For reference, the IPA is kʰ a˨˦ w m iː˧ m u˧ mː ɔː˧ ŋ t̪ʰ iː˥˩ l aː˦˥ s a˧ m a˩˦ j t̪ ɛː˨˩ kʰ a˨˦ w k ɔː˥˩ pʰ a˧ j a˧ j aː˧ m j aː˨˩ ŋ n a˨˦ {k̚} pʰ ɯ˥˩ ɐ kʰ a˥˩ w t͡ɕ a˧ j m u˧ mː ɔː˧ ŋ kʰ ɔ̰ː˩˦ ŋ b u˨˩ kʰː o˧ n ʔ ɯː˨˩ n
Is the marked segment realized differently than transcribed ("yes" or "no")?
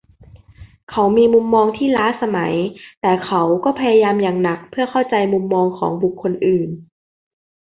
no